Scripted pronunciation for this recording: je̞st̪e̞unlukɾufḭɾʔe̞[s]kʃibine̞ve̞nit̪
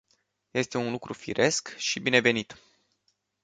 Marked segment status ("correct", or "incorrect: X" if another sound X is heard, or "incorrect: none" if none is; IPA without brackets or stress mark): correct